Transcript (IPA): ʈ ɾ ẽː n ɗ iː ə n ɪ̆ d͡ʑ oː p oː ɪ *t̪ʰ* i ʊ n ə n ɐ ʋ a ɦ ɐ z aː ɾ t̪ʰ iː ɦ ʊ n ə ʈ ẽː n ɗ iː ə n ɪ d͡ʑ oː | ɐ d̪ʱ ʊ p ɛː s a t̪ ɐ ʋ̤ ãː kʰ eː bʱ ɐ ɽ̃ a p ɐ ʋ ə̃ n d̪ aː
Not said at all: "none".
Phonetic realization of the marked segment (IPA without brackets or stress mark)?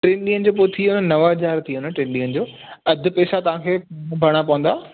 t̪ʰ